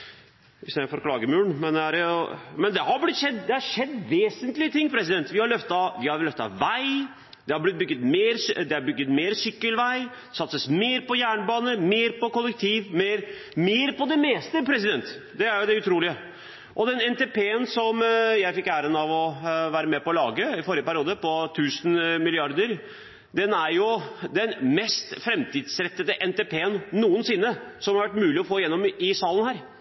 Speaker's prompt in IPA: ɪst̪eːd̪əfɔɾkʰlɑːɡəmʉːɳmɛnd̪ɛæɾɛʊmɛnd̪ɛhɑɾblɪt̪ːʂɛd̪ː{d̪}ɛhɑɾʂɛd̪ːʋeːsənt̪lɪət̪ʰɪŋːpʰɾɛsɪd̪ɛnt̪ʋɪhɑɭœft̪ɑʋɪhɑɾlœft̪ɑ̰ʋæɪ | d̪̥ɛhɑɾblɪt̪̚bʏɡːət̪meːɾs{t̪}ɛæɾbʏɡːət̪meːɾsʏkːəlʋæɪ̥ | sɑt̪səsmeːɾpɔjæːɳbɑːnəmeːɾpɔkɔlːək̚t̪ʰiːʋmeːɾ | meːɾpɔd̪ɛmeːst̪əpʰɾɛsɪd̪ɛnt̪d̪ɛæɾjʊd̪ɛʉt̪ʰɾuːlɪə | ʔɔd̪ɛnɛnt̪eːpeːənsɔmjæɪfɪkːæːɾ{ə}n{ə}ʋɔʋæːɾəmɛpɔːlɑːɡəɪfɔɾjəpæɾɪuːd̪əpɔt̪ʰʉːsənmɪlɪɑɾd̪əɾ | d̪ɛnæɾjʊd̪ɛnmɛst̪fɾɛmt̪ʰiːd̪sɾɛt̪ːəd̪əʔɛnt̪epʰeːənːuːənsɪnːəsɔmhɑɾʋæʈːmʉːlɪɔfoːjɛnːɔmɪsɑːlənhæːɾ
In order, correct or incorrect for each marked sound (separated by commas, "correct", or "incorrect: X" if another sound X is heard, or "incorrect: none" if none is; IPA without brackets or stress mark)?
correct, incorrect: d̪, correct, incorrect: ɑ